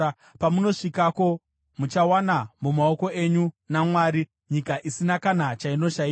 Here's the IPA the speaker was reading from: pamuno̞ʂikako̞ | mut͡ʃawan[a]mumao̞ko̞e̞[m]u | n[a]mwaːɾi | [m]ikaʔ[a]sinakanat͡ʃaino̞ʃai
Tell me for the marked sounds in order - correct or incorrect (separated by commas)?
correct, incorrect, correct, incorrect, incorrect